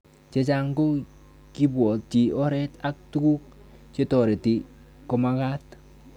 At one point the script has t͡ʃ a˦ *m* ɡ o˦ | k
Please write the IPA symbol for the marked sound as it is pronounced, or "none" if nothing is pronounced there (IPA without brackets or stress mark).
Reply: ŋ